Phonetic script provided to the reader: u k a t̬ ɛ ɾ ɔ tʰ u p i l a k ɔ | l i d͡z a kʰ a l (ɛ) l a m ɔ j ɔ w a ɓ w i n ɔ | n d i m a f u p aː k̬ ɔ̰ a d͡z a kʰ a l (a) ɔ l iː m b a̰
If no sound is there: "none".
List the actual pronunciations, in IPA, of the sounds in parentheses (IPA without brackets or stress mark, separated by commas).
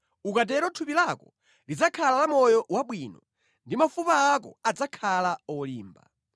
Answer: a, a